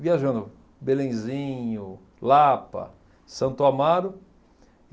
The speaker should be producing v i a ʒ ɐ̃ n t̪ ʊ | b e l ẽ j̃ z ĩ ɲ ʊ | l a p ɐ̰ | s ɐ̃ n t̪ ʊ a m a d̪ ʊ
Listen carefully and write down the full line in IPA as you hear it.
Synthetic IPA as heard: v i a ʒ ɐ̃ n d̪ ʊ | b e l ẽ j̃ z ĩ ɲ ʊ | l a p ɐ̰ | s ɐ̃ n t̪ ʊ a m a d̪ ʊ